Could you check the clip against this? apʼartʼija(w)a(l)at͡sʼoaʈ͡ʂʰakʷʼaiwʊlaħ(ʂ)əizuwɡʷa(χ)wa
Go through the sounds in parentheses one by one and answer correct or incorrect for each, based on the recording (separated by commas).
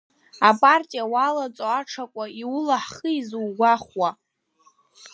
correct, correct, incorrect, correct